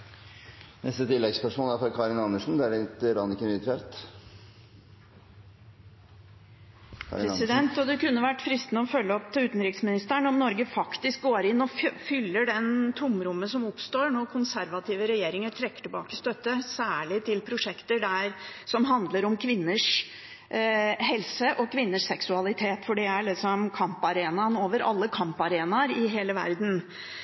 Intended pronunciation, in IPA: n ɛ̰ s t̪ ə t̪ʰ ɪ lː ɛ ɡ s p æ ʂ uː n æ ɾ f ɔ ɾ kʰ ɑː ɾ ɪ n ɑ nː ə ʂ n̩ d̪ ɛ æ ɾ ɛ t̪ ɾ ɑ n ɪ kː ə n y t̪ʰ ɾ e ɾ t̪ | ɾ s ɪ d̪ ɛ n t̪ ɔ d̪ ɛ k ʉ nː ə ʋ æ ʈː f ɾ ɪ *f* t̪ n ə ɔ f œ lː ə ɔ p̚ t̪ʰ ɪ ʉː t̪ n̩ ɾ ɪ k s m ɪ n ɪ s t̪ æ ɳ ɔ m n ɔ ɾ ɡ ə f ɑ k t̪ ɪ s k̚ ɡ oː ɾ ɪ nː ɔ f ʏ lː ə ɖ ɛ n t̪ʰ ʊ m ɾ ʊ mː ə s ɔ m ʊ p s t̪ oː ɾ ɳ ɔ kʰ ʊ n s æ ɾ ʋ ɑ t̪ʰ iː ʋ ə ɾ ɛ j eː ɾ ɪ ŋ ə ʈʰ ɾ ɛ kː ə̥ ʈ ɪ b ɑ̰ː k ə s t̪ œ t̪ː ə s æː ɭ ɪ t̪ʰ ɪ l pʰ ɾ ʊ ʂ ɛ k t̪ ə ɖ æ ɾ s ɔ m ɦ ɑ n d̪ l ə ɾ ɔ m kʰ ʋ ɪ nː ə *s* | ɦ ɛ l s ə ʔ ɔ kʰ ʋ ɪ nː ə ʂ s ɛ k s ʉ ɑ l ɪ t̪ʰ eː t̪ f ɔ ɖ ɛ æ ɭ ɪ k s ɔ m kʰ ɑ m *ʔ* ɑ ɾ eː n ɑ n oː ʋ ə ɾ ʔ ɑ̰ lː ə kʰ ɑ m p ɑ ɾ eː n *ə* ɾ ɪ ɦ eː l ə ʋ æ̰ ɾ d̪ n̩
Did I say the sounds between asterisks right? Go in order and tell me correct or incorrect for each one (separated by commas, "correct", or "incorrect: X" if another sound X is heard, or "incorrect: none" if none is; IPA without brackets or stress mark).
incorrect: s, incorrect: ʂ, incorrect: p, incorrect: ɑ